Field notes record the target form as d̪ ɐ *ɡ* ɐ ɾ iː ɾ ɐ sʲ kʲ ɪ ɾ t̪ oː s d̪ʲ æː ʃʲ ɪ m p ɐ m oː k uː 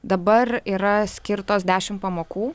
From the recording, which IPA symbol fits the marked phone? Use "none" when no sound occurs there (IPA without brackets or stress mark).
b